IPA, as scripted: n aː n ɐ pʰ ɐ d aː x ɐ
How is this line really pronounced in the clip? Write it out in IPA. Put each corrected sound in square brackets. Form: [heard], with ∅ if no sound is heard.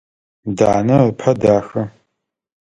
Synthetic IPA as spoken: [d] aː n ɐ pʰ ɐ d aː x ɐ